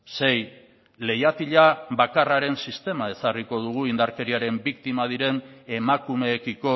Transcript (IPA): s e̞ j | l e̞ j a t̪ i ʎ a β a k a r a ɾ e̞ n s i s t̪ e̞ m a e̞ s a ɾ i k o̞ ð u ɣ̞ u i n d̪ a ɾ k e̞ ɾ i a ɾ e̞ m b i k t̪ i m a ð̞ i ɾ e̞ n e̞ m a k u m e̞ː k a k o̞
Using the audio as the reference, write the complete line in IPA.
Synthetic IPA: s e̞ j | l e̞ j a t̪ i ʎ a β a k a r a ɾ e̞ n s i s t̪ e̞ m a e̞ s a r i k o̞ ð u ɣ̞ u i n d̪ a ɾ k e̞ ɾ i a ɾ e̞ m b i k t̪ i m a ð̞ i ɾ e̞ n e̞ m a k u m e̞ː k i k o̞